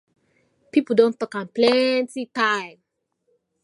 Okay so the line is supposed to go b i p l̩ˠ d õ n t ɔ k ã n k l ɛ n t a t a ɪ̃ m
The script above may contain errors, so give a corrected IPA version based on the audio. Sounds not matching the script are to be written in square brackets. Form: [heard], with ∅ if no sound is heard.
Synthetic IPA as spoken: [p] i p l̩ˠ d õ n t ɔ k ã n [p] l ɛ n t [i] t a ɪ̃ m